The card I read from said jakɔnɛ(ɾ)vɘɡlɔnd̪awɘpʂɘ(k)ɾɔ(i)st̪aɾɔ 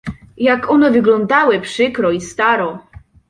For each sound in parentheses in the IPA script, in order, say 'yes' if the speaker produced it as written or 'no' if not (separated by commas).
no, yes, yes